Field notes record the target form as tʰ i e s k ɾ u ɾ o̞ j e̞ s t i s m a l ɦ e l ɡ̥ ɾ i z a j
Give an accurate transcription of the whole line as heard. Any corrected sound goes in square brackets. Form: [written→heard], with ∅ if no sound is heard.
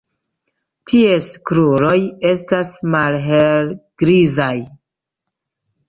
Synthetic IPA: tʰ i e s k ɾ u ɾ o̞ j e̞ s t [i→a] s m a l ɦ e l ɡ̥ ɾ i z a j